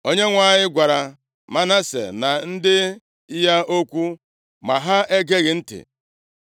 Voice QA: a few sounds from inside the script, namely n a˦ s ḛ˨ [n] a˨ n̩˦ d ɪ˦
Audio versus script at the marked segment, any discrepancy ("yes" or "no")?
no